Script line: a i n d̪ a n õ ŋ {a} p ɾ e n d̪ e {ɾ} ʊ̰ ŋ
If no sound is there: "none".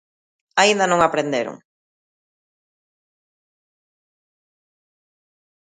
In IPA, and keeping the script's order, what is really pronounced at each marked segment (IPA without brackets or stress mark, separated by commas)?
a, ɾ